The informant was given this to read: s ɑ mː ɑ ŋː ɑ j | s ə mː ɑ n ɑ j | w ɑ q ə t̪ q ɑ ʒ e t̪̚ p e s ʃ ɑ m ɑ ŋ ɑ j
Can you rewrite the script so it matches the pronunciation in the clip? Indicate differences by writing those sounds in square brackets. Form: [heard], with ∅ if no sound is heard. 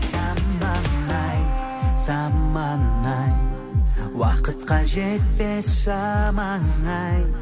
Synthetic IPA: s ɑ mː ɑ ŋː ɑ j | s [ɑ] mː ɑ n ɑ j | w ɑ q ə t̪ q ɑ ʒ e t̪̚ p e s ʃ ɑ m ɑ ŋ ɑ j